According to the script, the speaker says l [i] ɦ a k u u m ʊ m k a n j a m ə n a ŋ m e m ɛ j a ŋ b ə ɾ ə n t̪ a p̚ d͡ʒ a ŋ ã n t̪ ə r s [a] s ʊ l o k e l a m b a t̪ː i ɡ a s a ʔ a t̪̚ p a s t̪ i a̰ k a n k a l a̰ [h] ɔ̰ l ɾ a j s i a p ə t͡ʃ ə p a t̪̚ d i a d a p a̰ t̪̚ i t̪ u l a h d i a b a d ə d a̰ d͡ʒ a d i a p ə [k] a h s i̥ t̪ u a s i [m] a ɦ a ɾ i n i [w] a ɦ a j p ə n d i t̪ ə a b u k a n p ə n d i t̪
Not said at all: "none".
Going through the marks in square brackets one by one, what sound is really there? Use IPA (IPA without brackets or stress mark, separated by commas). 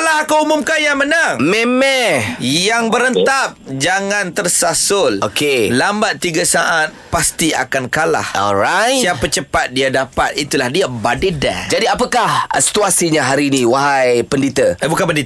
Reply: a, a, h, k, ɲ, w